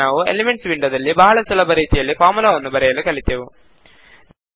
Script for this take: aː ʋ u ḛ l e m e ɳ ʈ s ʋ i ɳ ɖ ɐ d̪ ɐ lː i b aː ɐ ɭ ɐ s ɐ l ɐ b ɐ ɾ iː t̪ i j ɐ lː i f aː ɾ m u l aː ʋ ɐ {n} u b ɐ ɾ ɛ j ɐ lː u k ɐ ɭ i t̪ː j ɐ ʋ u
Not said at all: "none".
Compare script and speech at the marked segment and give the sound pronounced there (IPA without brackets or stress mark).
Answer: nː